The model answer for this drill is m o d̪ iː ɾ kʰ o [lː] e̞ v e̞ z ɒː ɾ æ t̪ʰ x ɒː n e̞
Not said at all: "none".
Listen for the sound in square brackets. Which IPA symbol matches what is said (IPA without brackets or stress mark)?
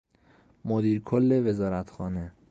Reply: lː